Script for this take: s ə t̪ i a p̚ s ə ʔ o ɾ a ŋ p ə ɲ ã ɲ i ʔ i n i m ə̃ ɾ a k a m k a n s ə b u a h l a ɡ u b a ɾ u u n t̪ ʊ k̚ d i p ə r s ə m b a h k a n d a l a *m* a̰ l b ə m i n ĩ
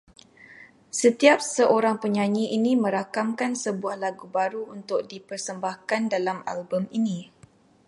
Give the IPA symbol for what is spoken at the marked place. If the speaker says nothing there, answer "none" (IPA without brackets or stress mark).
m